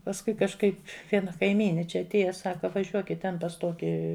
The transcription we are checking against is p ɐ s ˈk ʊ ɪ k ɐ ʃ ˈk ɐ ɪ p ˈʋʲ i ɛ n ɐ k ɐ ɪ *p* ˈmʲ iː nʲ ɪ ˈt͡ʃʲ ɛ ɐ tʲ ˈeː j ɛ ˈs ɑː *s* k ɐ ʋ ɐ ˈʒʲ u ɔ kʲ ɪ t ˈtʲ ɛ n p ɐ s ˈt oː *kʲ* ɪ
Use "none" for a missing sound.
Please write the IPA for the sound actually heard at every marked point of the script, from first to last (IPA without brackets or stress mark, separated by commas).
none, none, kʲ